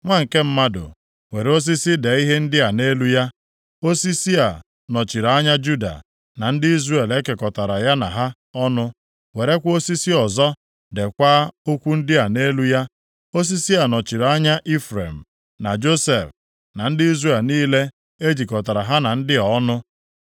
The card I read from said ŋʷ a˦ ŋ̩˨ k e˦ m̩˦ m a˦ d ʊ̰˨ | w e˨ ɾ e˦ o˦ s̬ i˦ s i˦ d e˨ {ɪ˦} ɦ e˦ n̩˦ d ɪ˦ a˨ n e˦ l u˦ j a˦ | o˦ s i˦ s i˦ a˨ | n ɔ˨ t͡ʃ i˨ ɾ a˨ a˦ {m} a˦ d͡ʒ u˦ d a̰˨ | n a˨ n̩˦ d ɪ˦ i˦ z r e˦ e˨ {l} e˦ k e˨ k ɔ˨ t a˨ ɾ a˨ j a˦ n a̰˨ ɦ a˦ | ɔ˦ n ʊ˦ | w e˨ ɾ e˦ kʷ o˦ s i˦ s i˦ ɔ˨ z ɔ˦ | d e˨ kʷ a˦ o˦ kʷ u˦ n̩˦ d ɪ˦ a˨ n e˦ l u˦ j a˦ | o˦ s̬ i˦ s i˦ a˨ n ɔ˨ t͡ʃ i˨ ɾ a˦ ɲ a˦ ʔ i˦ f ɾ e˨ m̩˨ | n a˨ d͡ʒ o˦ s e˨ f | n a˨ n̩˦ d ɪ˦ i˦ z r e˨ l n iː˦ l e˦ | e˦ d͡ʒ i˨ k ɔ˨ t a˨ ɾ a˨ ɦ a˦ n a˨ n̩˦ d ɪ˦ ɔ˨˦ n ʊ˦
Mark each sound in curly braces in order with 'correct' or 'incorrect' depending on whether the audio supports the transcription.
incorrect: i˦, incorrect: ɲ, correct

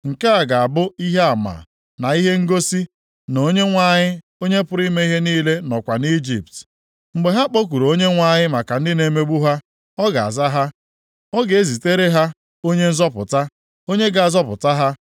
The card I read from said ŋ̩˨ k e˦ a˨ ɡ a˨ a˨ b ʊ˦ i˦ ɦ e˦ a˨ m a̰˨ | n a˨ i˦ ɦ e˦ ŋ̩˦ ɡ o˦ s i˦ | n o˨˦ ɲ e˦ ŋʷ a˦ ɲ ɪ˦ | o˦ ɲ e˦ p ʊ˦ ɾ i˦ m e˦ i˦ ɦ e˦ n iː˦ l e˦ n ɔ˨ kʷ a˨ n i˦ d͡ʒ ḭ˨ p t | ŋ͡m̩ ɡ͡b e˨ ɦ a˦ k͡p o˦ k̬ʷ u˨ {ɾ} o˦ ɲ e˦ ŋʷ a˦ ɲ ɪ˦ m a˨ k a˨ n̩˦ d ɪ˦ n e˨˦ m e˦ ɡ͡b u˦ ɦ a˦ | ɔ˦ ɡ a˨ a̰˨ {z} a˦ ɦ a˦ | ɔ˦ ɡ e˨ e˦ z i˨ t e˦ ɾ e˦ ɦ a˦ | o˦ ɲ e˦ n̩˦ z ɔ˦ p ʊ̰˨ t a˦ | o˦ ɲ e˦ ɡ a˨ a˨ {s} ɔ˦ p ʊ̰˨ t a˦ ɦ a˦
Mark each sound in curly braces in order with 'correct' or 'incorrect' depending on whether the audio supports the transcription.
correct, correct, incorrect: z

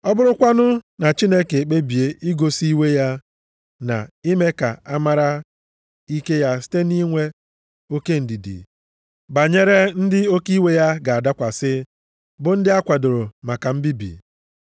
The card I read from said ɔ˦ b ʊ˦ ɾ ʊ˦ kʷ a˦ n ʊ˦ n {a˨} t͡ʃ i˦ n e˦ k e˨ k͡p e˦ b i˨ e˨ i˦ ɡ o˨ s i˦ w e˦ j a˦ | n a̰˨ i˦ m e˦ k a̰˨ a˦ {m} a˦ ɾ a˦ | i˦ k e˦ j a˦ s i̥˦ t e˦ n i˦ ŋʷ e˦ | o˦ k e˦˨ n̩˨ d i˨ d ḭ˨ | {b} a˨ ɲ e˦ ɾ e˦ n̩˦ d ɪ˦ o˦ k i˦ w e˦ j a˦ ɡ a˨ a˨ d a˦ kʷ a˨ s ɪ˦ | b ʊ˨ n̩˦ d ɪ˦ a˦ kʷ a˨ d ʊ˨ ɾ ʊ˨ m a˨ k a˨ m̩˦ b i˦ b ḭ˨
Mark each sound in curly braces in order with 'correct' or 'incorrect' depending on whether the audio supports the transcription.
correct, correct, correct

